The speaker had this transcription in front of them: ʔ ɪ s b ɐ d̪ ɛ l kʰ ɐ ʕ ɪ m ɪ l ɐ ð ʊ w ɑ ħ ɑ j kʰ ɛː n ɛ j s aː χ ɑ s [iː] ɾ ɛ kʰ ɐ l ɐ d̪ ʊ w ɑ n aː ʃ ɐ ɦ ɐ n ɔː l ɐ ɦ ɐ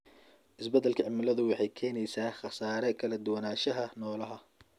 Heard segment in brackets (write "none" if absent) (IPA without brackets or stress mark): aː